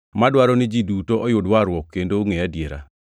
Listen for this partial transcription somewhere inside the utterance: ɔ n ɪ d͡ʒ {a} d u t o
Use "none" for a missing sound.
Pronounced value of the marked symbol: i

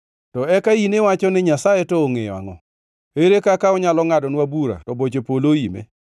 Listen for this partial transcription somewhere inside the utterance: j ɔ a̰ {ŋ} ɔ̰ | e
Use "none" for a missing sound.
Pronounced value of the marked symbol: ŋ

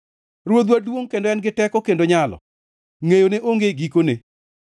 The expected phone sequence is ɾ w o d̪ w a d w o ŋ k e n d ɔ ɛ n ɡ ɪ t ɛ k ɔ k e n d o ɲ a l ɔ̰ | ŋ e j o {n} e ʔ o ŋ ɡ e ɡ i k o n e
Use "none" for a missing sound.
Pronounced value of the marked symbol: n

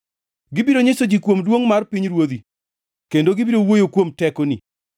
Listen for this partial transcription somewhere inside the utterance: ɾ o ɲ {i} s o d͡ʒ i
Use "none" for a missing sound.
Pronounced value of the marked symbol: e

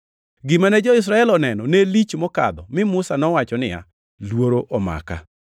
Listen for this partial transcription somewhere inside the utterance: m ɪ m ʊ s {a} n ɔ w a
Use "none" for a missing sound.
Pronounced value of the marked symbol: a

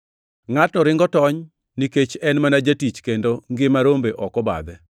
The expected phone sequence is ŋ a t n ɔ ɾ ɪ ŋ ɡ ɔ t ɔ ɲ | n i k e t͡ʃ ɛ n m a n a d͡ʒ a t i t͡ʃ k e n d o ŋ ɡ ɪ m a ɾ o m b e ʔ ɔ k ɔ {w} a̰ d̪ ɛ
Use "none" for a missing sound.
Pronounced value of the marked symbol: b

